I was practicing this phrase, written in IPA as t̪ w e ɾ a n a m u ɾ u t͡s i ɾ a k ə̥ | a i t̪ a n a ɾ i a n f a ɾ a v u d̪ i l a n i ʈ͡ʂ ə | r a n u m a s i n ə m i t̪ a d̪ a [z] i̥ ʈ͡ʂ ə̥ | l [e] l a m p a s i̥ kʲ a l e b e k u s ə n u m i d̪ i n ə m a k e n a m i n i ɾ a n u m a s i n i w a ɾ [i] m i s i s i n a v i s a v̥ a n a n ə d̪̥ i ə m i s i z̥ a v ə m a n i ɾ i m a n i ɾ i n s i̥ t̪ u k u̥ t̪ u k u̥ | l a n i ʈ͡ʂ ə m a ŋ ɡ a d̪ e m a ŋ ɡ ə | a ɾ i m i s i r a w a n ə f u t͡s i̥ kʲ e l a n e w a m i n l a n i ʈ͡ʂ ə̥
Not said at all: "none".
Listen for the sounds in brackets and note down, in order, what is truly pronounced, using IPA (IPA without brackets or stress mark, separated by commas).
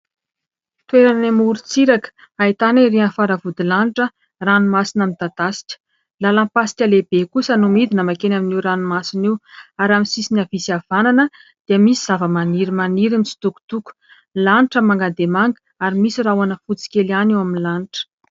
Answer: s, a, a